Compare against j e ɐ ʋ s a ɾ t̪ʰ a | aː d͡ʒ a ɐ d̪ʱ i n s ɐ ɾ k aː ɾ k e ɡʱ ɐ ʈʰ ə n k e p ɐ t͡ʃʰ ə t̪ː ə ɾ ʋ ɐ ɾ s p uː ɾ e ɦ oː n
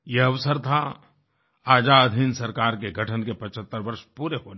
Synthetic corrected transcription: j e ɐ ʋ s ə ɾ t̪ʰ a | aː d͡ʒ a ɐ d̪ʱ i n s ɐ ɾ k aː ɾ k e ɡʱ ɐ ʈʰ ə n k e p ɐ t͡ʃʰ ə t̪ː ə ɾ ʋ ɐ ɾ ʃ p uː ɾ e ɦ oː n